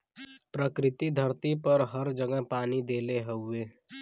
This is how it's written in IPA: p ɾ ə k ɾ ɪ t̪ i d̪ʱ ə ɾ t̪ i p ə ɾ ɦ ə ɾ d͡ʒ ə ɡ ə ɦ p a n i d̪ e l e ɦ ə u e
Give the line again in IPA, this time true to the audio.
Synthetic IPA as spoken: p ɾ ə k ɾ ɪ t̪ i d̪ʱ ə ɾ t̪ i p ə ɾ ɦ ə ɾ d͡ʒ ə ɡ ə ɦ p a n i d̪ e l e ɦ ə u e